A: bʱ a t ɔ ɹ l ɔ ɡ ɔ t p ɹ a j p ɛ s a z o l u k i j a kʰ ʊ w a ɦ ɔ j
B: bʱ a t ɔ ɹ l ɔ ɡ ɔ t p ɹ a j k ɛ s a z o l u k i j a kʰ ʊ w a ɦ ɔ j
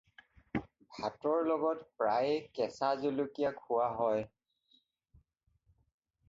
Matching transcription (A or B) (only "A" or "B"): B